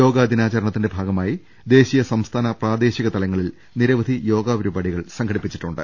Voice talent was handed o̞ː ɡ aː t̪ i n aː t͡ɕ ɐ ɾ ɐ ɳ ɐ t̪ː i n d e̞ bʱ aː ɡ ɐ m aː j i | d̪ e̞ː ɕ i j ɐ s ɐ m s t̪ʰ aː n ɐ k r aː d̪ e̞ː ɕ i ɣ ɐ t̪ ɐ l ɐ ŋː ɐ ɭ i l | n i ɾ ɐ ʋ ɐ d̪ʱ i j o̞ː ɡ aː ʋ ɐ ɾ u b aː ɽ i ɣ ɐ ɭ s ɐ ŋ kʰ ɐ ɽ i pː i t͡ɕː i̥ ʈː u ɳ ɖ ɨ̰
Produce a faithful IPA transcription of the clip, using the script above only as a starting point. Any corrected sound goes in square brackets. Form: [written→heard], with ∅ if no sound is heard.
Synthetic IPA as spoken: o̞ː ɡ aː [t̪→d̪] i n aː t͡ɕ ɐ ɾ ɐ ɳ ɐ t̪ː i n d e̞ bʱ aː ɡ ɐ m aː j i | d̪ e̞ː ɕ i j ɐ s ɐ m s t̪ʰ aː n ɐ [k→p] r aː d̪ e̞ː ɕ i ɣ ɐ t̪ ɐ l ɐ ŋː ɐ ɭ i l | n i ɾ ɐ ʋ ɐ d̪ʱ i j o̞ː ɡ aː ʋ ɐ ɾ u b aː ɽ i ɣ ɐ ɭ s ɐ ŋ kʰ ɐ ɽ i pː i t͡ɕː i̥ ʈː u ɳ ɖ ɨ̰